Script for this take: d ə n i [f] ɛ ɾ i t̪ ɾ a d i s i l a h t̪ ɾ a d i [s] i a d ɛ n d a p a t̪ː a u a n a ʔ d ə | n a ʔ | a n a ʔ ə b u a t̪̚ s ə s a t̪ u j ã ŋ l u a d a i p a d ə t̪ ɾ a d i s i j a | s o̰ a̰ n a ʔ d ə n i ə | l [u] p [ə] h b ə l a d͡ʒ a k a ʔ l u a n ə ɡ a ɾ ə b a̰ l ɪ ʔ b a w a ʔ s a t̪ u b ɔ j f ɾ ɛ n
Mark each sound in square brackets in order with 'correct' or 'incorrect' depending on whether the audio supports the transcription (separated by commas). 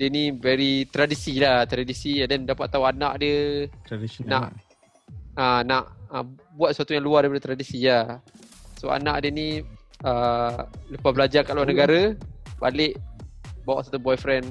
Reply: incorrect, correct, correct, incorrect